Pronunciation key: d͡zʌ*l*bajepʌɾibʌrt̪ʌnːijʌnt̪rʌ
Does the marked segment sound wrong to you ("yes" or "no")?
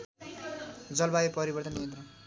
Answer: no